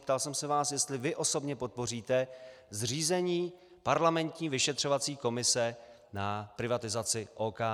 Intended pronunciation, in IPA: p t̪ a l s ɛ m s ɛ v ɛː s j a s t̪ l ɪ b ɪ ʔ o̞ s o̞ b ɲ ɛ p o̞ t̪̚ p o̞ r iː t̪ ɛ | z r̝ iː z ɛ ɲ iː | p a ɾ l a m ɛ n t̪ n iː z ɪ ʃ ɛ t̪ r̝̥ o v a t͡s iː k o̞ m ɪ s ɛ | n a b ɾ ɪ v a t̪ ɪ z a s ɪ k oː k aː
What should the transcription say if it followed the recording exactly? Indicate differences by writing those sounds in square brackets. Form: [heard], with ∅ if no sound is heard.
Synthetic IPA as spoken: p t̪ a l s ɛ m s ɛ v [aː] s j [ɛ] s t̪ l ɪ [v] ɪ ʔ o̞ s o̞ b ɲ ɛ p o̞ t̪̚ p o̞ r iː t̪ ɛ | z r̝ iː z ɛ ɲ iː | p a ɾ l a m ɛ n t̪ [ɲ] iː [v] ɪ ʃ ɛ t̪ r̝̥ o v a t͡s iː k o̞ m ɪ s ɛ | n a [p] ɾ ɪ v a t̪ ɪ z a [t͡s] ɪ [ʔ] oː k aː